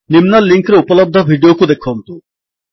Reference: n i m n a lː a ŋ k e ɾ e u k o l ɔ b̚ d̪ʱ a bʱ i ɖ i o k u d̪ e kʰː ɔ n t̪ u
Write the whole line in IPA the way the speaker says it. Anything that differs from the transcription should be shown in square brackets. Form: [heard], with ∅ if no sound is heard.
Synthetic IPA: n i m n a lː [i] ŋ k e ɾ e u [p] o l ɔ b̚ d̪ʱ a bʱ i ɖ i o k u d̪ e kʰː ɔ n t̪ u